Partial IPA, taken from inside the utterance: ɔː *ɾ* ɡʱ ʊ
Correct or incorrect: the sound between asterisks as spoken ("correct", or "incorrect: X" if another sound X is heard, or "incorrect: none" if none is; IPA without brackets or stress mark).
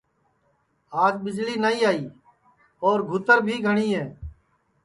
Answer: correct